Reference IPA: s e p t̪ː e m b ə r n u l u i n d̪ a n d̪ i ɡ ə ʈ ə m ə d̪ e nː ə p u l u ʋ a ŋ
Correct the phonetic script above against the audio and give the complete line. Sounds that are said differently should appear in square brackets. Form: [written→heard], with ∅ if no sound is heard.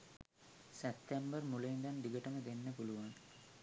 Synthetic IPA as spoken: s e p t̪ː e m b ə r [n→m] u l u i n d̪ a n d̪ i ɡ ə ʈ ə m ə d̪ e nː ə p u l u ʋ a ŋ